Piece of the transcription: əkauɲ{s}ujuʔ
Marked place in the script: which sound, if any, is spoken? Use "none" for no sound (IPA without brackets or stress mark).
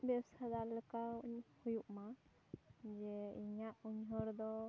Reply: h